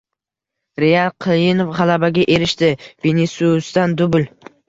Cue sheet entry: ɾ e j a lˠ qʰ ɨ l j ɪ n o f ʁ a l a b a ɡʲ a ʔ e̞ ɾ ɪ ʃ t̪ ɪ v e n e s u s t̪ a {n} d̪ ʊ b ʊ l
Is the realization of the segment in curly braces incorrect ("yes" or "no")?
no